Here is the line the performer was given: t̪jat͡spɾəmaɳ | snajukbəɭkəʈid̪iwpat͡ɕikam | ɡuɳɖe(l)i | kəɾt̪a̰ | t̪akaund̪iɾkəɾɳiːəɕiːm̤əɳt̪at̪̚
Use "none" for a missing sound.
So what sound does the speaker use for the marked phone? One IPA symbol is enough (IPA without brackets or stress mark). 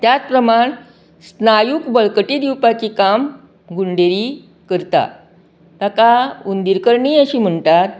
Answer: ɾ